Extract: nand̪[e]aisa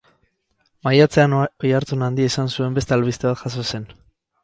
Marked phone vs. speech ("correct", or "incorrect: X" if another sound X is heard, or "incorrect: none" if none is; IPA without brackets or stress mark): incorrect: i